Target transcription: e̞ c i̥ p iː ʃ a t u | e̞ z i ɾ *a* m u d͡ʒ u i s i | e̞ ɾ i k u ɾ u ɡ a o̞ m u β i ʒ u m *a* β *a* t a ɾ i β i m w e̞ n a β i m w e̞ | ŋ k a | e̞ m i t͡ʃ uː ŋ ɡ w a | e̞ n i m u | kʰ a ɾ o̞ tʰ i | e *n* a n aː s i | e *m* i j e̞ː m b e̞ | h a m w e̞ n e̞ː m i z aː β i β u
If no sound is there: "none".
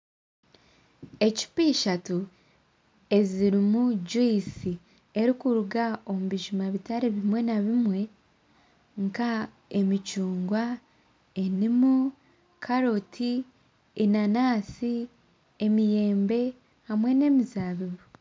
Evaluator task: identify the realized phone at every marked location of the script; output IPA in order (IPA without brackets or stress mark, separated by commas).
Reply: i, a, i, n, m